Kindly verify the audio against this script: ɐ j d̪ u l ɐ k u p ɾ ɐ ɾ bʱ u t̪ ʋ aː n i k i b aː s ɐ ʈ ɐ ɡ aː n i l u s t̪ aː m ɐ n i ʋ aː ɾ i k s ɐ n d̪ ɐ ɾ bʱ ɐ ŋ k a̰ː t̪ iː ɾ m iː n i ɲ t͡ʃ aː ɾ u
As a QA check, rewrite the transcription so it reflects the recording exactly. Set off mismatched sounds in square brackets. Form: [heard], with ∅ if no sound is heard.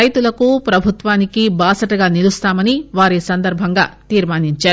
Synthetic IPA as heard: ɐ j [t̪] u l ɐ k u p ɾ ɐ [∅] bʱ u t̪ ʋ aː n i k i b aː s ɐ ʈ ɐ ɡ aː n i l u s t̪ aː m ɐ n i ʋ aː ɾ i [∅] s ɐ n d̪ ɐ ɾ bʱ ɐ ŋ [ɡ] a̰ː t̪ iː ɾ m [aː] n i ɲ t͡ʃ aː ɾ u